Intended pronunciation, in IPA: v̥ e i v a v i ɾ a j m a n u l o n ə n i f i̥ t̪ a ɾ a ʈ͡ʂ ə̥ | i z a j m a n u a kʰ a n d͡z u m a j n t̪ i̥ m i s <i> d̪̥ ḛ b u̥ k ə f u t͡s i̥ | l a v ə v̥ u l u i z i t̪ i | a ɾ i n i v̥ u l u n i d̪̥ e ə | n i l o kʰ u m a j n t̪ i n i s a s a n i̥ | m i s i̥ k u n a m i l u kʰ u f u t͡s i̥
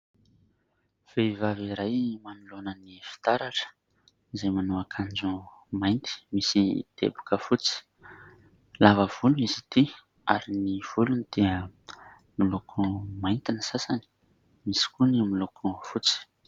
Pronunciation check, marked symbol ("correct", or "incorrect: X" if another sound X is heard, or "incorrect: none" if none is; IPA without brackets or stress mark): correct